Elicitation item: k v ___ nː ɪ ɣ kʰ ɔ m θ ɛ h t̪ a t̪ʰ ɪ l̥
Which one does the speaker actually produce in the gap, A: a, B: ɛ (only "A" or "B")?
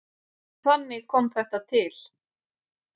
A